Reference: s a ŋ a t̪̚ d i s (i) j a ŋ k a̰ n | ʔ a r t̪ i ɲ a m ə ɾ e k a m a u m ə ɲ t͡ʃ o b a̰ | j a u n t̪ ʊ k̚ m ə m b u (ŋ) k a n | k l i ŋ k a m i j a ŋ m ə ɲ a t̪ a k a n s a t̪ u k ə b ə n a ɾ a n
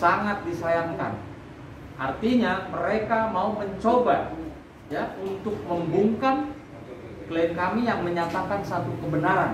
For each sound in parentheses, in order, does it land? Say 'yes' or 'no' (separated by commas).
no, yes